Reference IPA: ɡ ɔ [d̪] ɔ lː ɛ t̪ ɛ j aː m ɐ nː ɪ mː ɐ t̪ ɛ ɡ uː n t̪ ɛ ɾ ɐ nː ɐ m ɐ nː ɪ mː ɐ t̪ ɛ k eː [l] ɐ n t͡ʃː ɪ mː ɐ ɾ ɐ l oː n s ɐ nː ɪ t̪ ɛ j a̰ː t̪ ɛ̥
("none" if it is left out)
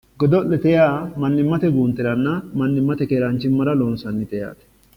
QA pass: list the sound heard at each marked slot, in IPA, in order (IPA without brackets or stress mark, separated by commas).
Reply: d̪, ɾ